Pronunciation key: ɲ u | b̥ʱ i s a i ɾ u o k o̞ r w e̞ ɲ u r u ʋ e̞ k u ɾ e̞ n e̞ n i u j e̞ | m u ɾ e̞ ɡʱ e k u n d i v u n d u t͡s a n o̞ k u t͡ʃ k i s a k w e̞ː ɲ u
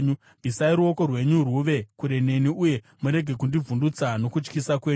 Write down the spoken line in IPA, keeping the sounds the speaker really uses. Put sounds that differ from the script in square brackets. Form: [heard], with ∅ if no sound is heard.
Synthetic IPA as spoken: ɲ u | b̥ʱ i s a i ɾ u o k o̞ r w e̞ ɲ u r u ʋ e̞ k u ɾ e̞ n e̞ n i u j e̞ | m u ɾ e̞ ɡʱ e k u n d i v u n d u t͡s a n o̞ k u t͡ʃ k i s a k w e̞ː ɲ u